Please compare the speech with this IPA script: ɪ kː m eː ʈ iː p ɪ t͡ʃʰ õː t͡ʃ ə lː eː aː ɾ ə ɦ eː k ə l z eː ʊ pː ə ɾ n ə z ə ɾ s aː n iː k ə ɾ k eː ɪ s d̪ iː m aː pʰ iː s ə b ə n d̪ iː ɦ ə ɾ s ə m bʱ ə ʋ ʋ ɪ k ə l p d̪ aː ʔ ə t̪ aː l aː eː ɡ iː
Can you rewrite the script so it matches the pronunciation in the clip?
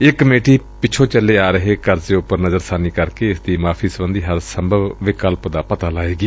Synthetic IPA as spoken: ɪ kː m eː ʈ iː p ɪ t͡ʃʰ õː t͡ʃ ə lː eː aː ɾ ə ɦ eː k ə ɾ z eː ʊ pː ə ɾ n ə z ə ɾ s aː n iː k ə ɾ k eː ɪ s d̪ iː m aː pʰ iː s ə b ə n d̪ iː ɦ ə ɾ s ə m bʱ ə ʋ ʋ ɪ k ə l p d̪ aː p ə t̪ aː l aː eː ɡ iː